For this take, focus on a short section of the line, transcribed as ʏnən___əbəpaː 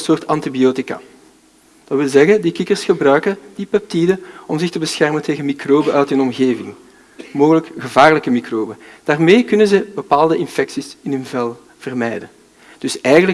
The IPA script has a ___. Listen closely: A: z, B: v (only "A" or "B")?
A